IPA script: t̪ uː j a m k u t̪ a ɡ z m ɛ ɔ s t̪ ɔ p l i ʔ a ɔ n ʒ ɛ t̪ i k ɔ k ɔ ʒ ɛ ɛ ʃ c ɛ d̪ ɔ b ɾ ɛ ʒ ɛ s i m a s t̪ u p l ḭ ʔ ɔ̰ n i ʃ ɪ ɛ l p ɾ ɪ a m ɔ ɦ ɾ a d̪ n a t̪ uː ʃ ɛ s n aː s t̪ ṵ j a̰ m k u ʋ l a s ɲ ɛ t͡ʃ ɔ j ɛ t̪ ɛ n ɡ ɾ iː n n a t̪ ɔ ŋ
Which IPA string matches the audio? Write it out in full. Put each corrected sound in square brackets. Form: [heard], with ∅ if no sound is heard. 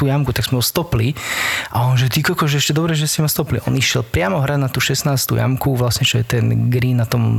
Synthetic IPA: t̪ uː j a m k u t̪ a ɡ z m ɛ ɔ s t̪ ɔ p l i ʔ a ɔ n ʒ ɛ t̪ i k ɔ k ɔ ʒ ɛ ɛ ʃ c ɛ d̪ ɔ b ɾ ɛ ʒ ɛ s i m a s t̪ [ɔ] p l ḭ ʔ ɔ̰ n i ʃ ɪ ɛ l p ɾ ɪ a m ɔ ɦ ɾ a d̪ n a t̪ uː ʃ ɛ s n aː s t̪ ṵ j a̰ m k u ʋ l a s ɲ ɛ t͡ʃ ɔ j ɛ t̪ ɛ n ɡ ɾ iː n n a t̪ ɔ [m]